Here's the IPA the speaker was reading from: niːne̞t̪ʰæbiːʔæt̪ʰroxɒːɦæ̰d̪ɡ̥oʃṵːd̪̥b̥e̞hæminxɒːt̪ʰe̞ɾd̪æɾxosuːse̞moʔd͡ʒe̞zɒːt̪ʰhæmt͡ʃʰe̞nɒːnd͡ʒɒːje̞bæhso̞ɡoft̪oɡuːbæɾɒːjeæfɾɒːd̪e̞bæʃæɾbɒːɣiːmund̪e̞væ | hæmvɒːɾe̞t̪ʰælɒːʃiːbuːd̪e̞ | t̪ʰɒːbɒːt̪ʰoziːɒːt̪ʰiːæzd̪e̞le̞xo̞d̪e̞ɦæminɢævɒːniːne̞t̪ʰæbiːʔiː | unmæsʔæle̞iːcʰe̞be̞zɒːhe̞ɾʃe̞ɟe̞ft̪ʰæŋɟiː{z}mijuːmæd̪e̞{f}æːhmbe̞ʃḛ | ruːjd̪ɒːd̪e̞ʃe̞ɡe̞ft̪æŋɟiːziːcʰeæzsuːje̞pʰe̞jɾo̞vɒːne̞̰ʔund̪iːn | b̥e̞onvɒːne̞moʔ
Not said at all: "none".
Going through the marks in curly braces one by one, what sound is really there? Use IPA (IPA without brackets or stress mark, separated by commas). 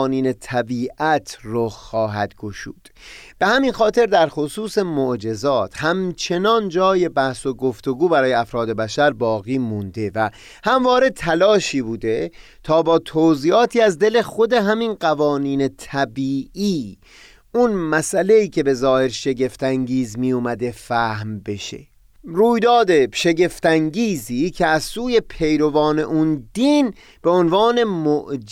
z, f